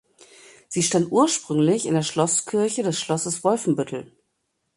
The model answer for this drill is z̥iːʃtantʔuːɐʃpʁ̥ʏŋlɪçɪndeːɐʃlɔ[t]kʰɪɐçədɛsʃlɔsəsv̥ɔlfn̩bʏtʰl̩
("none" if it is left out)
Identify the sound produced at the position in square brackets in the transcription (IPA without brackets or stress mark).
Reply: s